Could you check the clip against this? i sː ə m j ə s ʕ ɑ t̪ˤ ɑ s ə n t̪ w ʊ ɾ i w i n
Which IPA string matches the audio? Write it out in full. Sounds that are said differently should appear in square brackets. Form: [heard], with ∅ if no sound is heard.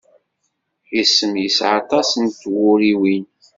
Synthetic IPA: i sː ə m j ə s ʕ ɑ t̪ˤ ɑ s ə n t̪ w ʊ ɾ i w i n